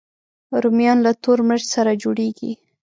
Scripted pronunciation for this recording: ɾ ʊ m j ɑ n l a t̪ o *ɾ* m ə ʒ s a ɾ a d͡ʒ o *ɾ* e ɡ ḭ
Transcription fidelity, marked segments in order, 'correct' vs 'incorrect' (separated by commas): correct, incorrect